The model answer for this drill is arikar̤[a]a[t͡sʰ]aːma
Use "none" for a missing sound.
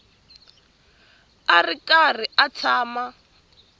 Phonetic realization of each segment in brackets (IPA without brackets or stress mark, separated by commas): i, t͡sʰ